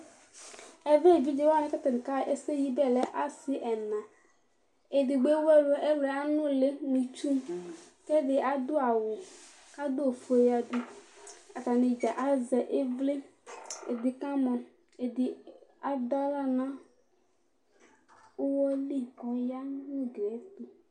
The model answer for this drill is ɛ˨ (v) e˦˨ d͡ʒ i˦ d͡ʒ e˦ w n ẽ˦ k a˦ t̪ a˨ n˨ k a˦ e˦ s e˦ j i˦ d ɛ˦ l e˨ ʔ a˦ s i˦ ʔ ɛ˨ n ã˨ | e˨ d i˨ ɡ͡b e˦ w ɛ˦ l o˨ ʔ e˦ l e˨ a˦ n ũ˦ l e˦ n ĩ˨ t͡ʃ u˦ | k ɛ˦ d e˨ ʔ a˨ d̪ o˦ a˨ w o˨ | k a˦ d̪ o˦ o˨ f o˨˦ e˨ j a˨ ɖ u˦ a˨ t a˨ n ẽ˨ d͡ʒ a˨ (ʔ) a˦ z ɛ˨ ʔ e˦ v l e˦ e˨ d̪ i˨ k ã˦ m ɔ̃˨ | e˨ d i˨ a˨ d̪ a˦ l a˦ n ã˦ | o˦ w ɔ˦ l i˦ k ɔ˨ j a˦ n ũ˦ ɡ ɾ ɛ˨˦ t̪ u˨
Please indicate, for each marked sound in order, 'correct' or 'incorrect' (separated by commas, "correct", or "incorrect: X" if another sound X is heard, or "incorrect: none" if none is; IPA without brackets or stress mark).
correct, correct